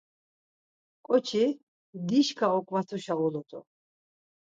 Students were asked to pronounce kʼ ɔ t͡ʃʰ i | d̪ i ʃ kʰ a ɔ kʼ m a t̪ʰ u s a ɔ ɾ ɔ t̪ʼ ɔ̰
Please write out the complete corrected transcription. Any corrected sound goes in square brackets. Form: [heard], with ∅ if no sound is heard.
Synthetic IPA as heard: kʼ ɔ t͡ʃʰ i | d̪ i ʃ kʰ a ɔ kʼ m a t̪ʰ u [ʃ] a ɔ [l] ɔ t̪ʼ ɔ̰